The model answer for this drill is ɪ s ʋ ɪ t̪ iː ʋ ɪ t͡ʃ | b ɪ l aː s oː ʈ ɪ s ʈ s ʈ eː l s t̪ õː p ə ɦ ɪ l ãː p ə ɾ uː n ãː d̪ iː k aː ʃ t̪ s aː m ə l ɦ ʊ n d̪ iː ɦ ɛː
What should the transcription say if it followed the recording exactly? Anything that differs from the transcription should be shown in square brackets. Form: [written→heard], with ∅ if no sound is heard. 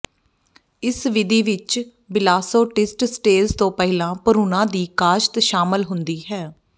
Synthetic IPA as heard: ɪ s ʋ ɪ [t̪→d̪] iː ʋ ɪ t͡ʃ | b ɪ l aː s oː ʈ ɪ s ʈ s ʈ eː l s t̪ õː p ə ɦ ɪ l ãː p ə ɾ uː n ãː d̪ iː k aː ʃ t̪ [s→ʃ] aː m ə l ɦ ʊ n d̪ iː ɦ ɛː